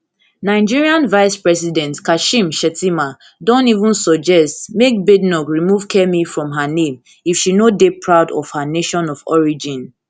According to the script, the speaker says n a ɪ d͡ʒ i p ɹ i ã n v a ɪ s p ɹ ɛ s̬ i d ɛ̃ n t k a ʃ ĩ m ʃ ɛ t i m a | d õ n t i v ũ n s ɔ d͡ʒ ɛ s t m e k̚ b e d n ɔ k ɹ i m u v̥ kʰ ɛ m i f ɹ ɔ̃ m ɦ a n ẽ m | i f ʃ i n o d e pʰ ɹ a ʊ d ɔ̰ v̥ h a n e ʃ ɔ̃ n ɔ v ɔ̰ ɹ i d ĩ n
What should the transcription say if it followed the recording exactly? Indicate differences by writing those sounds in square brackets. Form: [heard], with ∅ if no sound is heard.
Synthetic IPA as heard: n a ɪ d͡ʒ i [∅] ɹ i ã n v a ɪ s p ɹ ɛ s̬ i d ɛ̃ n t k a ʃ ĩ m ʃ ɛ t i m a | d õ n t i v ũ n s ɔ d͡ʒ ɛ s t m e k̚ b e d n ɔ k ɹ i m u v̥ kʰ ɛ m i f ɹ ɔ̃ m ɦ a n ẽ m | i f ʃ i n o d e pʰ ɹ a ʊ d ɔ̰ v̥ h a n e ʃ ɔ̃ n ɔ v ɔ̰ ɹ i [d͡ʒ] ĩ n